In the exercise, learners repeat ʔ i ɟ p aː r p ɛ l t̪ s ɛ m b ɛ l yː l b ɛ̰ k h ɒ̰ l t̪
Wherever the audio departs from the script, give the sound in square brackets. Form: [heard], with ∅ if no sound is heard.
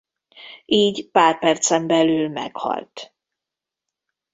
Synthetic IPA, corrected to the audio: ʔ [iː] ɟ p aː r p ɛ [r] t̪ s ɛ m b ɛ l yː l [m] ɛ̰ k h ɒ̰ l t̪

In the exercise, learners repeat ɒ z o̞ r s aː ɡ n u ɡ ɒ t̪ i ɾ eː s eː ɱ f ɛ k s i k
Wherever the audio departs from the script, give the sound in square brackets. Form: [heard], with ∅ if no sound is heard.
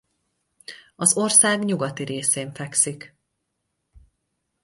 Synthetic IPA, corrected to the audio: ɒ z o̞ r s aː ɡ [ɲ] u ɡ ɒ t̪ i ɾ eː s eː ɱ f ɛ k s i k

